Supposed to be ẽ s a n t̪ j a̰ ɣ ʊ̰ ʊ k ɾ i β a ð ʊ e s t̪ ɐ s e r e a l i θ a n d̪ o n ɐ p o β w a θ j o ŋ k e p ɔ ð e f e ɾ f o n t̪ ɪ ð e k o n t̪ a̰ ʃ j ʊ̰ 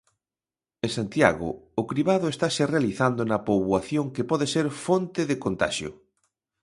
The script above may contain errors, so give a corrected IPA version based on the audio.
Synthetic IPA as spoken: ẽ s a n t̪ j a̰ ɣ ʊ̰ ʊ k ɾ i β a ð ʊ e s t̪ a s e r e a l i θ a n d̪ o n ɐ p o β w a θ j o ŋ k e p ɔ ð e s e ɾ f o n t̪ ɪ ð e k o n t̪ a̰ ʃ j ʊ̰